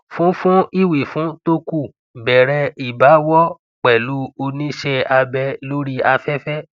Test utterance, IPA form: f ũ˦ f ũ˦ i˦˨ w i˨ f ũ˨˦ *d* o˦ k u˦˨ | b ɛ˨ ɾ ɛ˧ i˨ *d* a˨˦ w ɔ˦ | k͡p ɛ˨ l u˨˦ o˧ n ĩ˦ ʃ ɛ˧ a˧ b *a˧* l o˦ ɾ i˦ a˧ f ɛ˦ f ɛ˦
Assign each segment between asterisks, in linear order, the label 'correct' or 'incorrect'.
incorrect, incorrect, incorrect

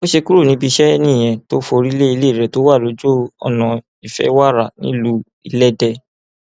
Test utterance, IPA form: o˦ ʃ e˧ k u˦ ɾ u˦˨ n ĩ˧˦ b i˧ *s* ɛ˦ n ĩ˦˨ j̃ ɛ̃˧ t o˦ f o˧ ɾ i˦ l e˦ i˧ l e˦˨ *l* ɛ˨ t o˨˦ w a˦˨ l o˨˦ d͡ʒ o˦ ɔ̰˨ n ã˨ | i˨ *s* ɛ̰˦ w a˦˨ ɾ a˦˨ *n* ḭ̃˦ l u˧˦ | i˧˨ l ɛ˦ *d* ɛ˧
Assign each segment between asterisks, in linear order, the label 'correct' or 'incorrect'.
incorrect, incorrect, incorrect, correct, correct

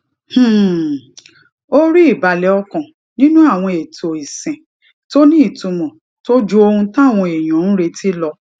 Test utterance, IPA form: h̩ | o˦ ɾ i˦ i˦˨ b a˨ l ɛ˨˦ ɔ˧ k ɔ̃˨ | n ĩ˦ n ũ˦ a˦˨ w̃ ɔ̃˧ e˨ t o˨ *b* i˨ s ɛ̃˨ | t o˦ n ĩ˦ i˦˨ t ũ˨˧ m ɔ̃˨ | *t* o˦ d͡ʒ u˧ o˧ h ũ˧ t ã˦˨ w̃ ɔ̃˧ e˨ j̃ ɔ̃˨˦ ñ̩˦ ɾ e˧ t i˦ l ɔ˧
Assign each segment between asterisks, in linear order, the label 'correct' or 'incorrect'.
incorrect, correct

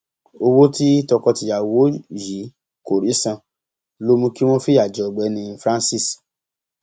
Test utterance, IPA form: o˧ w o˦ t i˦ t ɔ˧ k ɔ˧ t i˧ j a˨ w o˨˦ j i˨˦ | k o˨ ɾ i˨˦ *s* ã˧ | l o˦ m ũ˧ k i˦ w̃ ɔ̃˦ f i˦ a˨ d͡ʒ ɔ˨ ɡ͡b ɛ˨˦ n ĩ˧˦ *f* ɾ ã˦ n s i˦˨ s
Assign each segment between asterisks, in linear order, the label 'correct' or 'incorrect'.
correct, correct

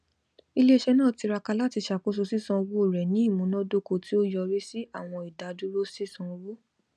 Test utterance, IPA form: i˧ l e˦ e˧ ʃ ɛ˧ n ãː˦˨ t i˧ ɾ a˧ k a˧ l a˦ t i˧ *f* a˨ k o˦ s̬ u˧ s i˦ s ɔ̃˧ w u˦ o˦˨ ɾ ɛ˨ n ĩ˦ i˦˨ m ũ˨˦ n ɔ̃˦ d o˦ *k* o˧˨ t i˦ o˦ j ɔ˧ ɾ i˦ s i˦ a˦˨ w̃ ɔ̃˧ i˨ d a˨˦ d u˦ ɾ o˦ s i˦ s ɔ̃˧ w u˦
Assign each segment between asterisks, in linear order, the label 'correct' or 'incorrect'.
incorrect, correct

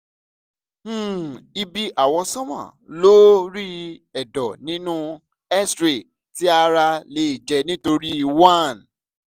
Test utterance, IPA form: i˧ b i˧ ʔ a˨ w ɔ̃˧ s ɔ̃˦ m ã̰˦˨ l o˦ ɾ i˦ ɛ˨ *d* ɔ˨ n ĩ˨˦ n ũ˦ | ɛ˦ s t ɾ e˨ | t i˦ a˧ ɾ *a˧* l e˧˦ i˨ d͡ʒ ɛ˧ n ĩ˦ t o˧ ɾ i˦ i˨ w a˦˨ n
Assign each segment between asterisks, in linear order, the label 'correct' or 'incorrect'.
correct, correct

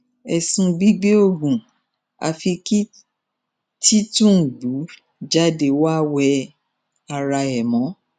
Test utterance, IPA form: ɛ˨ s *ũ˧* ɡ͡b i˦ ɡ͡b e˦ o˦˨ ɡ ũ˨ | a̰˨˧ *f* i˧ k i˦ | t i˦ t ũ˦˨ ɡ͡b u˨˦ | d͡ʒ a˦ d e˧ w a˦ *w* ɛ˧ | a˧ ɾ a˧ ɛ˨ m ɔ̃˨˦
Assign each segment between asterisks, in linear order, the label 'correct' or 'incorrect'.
correct, correct, correct

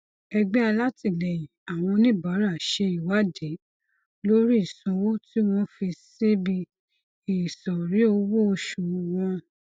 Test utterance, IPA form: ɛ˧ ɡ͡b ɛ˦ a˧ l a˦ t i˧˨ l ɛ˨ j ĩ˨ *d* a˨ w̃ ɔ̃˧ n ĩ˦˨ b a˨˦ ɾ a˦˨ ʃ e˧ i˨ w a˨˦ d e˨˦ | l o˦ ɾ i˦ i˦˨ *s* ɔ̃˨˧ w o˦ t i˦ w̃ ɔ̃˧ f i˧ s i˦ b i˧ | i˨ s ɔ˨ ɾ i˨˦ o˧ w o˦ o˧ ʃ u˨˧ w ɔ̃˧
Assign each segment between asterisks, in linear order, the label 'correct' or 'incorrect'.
incorrect, correct

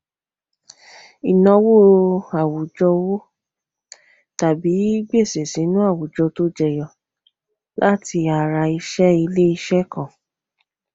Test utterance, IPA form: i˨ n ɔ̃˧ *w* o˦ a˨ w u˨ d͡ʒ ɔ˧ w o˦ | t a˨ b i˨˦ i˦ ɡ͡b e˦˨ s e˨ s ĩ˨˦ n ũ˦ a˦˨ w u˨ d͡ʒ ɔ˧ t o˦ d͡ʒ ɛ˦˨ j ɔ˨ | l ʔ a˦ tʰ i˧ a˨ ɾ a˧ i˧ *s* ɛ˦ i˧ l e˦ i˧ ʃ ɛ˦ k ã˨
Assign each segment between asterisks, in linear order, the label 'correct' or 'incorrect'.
correct, incorrect

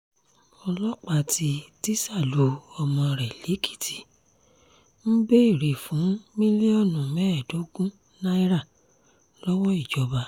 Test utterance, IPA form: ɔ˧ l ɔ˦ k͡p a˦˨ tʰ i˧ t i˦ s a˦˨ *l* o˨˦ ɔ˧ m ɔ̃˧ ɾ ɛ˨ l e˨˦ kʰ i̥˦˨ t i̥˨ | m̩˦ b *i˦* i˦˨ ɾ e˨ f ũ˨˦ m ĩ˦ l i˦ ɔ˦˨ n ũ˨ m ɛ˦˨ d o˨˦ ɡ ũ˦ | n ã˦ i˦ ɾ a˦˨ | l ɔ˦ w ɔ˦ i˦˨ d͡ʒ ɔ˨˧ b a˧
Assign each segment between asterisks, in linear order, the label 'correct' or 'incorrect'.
correct, incorrect

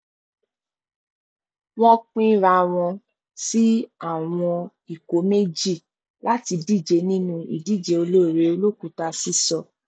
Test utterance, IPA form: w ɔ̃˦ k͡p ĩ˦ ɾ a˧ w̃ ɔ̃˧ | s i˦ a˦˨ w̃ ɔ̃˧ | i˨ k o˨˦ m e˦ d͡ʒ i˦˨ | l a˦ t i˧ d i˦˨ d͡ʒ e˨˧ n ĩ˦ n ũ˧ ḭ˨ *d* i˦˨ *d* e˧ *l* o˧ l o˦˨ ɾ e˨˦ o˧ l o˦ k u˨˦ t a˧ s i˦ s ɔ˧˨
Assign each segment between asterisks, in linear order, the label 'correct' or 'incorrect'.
correct, incorrect, incorrect

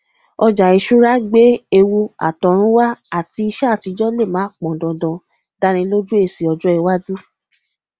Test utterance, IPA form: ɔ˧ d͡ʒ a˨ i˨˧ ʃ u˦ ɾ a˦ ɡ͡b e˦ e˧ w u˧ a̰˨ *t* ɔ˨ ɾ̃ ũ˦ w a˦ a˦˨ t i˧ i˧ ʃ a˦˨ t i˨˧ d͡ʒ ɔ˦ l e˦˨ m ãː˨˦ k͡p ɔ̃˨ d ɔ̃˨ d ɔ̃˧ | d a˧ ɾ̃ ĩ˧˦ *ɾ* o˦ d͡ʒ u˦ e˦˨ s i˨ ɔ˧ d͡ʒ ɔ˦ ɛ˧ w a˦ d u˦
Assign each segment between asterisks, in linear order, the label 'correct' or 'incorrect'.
correct, incorrect

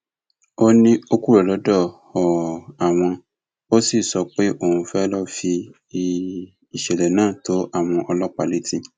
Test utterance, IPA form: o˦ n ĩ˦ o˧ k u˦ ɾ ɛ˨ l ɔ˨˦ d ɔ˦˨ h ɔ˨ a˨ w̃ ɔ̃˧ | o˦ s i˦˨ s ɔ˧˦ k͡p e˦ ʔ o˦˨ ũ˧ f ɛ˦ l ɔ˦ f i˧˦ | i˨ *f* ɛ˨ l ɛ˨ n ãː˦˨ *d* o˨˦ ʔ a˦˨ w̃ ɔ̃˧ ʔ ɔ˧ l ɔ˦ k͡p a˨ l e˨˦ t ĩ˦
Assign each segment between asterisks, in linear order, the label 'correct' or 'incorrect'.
incorrect, incorrect

